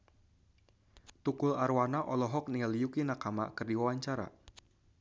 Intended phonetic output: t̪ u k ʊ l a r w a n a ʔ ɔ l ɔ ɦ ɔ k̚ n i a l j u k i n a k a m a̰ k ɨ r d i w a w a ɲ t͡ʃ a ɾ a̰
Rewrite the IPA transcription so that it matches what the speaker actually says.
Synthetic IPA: t̪ u k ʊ l a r w a n a ʔ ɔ l ɔ ɦ ɔ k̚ n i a l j u k i n a k a m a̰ k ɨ r d i w a w a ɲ t͡ʃ a ɾ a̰